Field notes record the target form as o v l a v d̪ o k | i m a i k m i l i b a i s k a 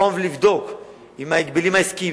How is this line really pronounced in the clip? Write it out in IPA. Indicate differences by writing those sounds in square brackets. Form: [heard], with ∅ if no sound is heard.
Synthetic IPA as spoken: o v l [i] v d̪ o k | i m a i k [b] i l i [m] a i s k [i]